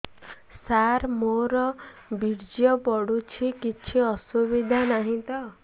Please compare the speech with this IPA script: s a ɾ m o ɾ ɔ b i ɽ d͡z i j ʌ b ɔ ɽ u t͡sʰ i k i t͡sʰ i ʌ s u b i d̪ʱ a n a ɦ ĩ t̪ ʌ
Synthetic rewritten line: s a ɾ m o ɾ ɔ b i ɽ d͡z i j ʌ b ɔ ɽ u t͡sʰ i k i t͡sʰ i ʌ s u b i d̪ʱ a n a ɦ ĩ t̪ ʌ